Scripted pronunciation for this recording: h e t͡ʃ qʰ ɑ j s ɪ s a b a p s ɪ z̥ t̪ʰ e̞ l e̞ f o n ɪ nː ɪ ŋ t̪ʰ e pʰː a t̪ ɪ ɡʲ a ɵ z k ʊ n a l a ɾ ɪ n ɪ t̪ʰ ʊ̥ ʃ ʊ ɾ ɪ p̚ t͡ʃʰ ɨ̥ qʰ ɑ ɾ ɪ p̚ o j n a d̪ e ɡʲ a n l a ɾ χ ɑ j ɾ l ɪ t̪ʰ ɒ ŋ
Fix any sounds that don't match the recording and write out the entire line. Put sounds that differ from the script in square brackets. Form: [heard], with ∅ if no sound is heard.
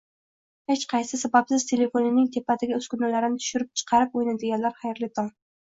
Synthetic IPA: h e t͡ʃ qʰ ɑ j s ɪ s a b a p s ɪ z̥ t̪ʰ e̞ l e̞ f o n ɪ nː ɪ ŋ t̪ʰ e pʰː a t̪ ɪ ɡʲ a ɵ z k ʊ n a l a ɾ ɪ n ɪ t̪ʰ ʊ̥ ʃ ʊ ɾ ɪ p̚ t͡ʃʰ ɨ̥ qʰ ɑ ɾ ɪ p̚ o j n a d̪ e ɡʲ a n l a ɾ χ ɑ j ɾ l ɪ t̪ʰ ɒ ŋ